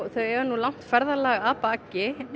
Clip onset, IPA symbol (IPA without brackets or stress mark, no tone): θ